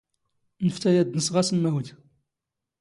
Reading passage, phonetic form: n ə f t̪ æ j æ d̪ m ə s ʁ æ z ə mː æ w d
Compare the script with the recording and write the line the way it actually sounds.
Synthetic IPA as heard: n ə f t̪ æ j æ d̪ n ə s ʁ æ s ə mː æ w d